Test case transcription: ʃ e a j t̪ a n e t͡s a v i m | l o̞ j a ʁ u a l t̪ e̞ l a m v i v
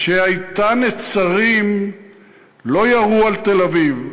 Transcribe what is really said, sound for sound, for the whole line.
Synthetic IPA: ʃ e a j t̪ a n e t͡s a ʁ i m | l o̞ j a ʁ u a l t̪ e̞ l a v i v